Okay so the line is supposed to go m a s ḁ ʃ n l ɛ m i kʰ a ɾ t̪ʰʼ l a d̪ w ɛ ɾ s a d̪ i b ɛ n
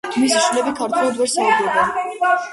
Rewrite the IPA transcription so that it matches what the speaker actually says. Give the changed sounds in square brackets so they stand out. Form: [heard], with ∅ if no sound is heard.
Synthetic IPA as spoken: m [i] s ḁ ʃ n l ɛ [b] i kʰ a ɾ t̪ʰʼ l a d̪ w ɛ ɾ s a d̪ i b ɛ n